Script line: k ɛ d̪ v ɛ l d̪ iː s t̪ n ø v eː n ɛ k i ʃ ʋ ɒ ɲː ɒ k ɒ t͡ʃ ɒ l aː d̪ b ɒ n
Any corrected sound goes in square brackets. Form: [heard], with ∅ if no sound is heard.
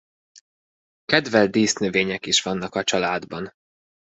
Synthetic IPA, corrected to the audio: k ɛ d̪ v ɛ l d̪ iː s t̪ n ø v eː [ɲ] ɛ k i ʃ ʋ ɒ [nː] ɒ k ɒ t͡ʃ ɒ l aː d̪ b ɒ n